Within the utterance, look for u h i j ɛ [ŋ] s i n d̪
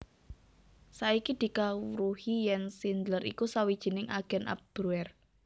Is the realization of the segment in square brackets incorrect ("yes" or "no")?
yes